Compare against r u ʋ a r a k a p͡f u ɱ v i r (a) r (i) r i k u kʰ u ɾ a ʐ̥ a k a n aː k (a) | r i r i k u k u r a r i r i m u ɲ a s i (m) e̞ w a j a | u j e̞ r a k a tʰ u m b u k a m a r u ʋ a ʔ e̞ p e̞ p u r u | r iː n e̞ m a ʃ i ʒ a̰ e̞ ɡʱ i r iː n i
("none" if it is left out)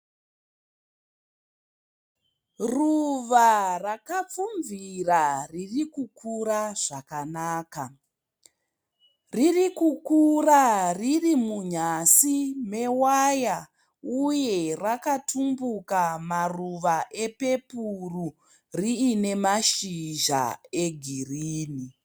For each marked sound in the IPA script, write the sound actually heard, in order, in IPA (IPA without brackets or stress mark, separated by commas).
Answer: a, i, a, m